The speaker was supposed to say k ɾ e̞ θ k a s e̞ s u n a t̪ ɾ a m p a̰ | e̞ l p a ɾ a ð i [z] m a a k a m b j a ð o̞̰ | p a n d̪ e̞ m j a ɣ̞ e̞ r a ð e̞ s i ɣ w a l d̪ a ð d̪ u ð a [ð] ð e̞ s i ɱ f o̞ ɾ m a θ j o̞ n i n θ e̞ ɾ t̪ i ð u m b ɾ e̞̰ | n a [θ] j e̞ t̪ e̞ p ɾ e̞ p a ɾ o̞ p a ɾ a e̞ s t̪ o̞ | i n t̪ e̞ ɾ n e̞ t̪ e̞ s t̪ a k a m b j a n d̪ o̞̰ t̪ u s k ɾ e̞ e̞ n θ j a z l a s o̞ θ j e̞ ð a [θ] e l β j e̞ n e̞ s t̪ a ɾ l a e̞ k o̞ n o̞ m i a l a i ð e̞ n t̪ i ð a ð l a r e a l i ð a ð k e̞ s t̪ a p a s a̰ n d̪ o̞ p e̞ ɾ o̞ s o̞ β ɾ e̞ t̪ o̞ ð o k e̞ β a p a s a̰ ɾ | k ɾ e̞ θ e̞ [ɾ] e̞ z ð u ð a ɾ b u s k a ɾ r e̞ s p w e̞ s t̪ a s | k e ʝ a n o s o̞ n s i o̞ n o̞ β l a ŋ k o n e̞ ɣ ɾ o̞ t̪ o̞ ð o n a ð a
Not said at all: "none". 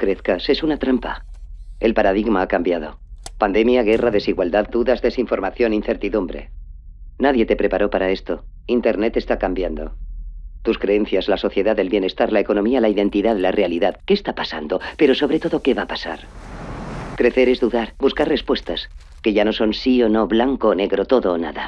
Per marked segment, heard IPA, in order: ɣ, z, ð, ð, ɾ

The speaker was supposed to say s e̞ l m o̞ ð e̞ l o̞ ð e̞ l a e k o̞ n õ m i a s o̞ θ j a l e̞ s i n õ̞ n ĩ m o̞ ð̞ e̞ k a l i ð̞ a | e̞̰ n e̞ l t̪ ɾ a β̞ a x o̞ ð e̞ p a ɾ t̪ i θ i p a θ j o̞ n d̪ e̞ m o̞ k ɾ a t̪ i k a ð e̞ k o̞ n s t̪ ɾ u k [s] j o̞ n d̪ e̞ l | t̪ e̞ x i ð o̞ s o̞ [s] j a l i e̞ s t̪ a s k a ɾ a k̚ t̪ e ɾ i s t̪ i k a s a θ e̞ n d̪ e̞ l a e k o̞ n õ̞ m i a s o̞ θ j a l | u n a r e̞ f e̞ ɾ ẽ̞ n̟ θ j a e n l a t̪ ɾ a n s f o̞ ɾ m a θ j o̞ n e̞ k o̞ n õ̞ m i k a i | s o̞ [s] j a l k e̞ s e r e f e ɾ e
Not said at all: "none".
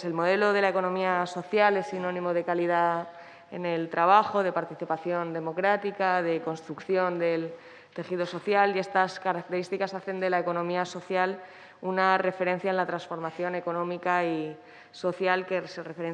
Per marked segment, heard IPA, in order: θ, θ, θ

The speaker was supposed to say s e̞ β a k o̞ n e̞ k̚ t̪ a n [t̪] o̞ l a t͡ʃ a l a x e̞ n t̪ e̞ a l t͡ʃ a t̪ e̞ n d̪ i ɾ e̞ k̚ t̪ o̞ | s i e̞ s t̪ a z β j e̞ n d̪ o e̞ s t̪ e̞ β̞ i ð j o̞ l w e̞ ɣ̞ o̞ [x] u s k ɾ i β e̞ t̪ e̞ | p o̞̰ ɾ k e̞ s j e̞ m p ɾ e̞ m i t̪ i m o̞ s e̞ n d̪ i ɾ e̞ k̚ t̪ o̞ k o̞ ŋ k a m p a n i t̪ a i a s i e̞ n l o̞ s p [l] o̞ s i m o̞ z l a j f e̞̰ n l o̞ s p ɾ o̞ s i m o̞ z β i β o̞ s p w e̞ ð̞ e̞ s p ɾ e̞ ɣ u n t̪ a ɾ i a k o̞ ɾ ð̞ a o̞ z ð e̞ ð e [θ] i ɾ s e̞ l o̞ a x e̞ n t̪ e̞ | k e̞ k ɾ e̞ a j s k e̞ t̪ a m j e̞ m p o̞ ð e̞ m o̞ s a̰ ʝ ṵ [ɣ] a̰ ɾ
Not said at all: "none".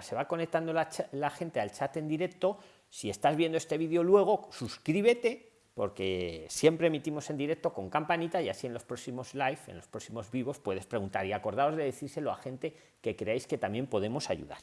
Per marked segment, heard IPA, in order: d̪, s, ɾ, θ, ð

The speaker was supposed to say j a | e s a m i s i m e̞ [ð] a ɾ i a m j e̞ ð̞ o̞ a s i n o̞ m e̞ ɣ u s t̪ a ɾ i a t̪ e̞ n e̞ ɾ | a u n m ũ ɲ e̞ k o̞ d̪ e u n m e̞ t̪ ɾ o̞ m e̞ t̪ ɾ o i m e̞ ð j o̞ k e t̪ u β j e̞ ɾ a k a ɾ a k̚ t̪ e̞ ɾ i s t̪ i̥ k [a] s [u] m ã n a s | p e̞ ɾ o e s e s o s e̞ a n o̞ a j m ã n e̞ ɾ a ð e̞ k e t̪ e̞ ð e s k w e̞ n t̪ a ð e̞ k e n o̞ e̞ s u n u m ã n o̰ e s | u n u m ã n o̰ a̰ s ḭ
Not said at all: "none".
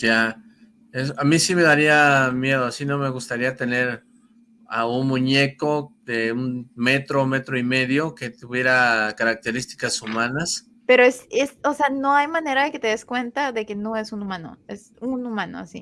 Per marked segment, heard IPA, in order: ð, a, u

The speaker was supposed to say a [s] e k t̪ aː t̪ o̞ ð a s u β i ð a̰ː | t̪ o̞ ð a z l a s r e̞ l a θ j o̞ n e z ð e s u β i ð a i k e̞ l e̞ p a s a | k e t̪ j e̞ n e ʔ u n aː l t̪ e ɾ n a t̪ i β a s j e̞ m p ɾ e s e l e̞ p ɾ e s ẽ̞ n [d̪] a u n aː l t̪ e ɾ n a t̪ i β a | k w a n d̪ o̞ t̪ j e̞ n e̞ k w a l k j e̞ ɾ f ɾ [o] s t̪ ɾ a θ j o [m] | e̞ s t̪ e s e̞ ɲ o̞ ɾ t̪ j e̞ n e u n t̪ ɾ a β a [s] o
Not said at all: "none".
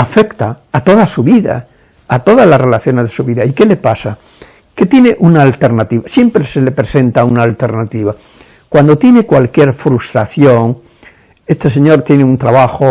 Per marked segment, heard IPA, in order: f, t̪, u, ŋ, x

